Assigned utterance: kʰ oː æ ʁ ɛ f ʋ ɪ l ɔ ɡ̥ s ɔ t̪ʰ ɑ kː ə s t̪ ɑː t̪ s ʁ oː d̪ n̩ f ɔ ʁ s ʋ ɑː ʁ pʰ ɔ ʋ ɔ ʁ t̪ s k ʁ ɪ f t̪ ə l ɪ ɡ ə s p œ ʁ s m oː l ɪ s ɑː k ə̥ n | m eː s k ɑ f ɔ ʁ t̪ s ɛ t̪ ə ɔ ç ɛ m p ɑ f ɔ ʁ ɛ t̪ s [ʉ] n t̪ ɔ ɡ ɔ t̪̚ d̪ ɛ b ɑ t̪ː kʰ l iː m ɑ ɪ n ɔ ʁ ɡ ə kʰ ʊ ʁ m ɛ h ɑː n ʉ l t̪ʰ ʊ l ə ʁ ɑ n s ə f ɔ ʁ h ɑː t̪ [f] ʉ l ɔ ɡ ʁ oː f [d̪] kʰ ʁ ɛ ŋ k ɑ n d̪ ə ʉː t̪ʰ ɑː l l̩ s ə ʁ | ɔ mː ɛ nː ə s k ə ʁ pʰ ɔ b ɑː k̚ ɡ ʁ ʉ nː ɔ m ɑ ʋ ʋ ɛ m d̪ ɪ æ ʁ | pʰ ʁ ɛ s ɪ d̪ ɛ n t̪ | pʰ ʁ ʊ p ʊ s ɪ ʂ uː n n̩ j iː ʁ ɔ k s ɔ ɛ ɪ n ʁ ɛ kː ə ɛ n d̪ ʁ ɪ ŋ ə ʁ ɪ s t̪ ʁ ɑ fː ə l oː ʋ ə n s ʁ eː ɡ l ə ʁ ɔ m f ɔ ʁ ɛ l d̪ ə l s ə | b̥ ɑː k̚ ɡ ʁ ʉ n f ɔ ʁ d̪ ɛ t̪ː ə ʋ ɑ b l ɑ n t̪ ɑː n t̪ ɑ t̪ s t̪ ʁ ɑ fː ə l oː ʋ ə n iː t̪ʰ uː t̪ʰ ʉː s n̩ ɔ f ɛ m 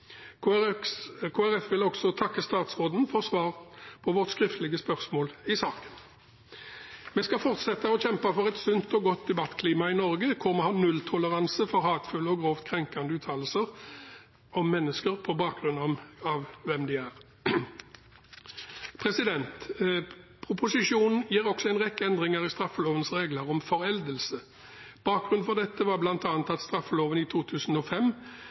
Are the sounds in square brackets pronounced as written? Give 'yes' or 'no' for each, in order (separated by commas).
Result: yes, yes, no